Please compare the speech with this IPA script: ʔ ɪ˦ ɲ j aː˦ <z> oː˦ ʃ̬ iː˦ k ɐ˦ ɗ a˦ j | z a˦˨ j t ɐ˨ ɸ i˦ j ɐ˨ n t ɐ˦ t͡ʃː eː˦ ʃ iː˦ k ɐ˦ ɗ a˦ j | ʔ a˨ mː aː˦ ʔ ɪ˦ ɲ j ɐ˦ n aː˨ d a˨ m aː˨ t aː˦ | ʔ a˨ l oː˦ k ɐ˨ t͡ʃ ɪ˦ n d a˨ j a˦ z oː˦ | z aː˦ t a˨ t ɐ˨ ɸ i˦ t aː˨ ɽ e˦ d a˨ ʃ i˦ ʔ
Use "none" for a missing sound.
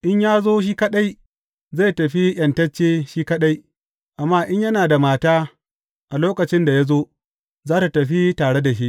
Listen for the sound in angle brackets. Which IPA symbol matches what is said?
z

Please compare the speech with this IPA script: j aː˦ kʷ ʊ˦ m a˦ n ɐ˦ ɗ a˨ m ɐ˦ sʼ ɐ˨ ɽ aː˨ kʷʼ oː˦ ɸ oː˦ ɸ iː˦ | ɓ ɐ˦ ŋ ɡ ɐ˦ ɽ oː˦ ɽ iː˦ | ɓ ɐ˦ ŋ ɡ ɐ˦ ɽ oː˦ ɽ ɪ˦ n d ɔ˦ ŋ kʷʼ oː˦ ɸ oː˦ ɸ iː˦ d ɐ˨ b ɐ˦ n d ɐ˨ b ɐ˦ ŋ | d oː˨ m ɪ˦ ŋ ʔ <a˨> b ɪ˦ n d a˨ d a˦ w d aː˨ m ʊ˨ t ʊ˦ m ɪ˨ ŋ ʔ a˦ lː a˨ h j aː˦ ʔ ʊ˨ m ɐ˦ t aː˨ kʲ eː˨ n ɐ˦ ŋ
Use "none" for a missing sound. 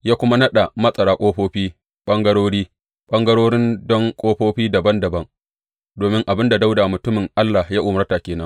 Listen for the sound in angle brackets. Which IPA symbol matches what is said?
a˨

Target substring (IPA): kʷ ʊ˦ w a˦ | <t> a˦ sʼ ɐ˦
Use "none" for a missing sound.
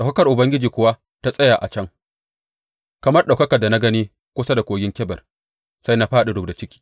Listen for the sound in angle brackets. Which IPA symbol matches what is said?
t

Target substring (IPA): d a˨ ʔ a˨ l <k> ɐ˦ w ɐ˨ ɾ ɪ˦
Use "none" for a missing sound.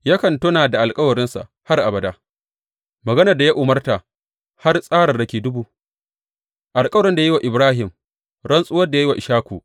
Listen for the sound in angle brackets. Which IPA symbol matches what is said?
kʼ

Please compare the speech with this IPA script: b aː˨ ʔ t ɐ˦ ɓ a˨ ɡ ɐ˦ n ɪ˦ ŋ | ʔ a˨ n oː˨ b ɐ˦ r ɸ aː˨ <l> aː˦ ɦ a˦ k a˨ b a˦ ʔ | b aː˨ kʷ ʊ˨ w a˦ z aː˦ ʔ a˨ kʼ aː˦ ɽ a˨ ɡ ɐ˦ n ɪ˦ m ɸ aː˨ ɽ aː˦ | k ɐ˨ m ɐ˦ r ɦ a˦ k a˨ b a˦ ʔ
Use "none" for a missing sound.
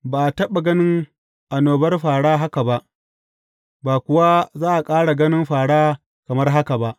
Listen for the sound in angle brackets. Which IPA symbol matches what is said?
ɽ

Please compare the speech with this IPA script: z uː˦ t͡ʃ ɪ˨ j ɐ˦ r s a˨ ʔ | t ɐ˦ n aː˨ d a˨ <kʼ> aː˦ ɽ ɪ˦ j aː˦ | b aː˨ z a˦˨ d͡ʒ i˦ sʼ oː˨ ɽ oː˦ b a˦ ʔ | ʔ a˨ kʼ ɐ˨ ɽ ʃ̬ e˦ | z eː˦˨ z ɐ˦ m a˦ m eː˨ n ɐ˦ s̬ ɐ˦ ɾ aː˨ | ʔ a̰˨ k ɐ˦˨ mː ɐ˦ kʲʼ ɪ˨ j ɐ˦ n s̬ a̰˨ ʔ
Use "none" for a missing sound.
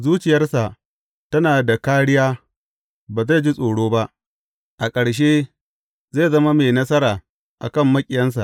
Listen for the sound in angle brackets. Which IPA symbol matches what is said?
k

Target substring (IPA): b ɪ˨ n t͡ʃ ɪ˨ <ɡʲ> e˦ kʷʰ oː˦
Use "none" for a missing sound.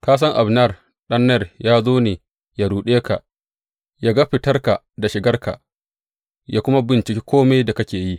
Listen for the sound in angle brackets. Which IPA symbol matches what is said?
kʲ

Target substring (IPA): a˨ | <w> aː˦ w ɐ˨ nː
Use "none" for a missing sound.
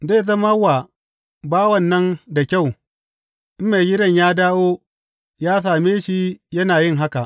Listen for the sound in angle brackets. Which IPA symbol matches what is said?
b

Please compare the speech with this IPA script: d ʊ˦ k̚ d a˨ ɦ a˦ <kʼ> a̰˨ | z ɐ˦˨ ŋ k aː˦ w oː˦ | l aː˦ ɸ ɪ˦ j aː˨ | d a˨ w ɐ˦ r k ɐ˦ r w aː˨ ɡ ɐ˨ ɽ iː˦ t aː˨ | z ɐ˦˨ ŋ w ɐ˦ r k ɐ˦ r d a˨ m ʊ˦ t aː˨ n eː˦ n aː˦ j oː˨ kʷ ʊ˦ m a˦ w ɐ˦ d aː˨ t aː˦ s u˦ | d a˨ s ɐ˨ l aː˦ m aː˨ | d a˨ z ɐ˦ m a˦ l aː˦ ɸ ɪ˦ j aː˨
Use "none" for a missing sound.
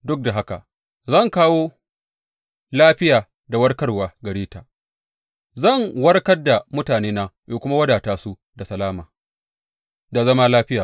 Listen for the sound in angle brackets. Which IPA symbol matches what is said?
k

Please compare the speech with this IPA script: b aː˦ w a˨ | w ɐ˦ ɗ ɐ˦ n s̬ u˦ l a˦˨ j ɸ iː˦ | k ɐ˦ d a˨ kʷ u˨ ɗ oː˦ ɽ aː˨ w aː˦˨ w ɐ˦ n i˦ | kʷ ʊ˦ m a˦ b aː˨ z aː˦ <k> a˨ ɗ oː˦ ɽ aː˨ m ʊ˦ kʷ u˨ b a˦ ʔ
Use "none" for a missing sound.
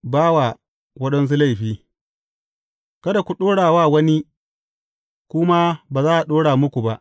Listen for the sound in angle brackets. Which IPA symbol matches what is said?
ʔ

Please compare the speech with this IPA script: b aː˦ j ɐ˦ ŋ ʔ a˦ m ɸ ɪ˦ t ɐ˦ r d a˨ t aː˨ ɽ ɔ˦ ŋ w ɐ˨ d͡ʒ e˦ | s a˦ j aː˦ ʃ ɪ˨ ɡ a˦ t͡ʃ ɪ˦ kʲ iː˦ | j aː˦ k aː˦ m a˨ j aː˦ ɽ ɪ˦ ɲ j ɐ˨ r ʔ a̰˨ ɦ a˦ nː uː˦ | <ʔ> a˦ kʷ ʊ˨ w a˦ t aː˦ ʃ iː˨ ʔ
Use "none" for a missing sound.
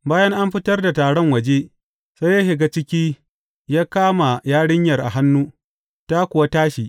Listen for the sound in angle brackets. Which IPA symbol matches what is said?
t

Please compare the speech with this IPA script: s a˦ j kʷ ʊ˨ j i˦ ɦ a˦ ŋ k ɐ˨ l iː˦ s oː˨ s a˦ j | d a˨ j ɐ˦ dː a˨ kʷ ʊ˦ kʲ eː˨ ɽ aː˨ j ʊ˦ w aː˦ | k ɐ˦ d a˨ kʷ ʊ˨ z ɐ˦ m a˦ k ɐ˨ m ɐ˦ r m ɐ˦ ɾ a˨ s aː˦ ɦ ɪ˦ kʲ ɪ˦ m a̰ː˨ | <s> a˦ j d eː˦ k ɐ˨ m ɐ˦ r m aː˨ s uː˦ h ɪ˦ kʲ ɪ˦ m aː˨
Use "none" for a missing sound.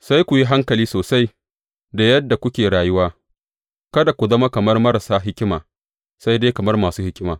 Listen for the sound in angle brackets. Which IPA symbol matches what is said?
s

